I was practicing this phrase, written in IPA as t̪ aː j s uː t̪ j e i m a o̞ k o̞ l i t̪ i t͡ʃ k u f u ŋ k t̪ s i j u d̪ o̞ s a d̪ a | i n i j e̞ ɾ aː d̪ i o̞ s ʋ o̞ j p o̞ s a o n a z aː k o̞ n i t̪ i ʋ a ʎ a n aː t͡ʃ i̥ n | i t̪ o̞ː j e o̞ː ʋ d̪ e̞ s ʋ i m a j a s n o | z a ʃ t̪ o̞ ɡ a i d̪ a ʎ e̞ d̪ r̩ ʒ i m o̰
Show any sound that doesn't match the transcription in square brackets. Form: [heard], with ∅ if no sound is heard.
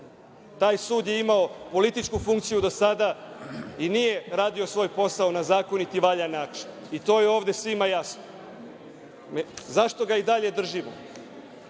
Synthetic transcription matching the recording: t̪ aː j s uː [d̪] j e i m a o̞ [p] o̞ l i t̪ i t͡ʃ k u f u ŋ k t̪ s i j u d̪ o̞ s a d̪ a | i n i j e̞ ɾ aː d̪ i o̞ s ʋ o̞ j p o̞ s a o n a z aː k o̞ n i t̪ i ʋ a ʎ a n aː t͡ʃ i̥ n | i t̪ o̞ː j e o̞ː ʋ d̪ e̞ s ʋ i m a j a s n o | z a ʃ t̪ o̞ ɡ a i d̪ a ʎ e̞ d̪ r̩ ʒ i m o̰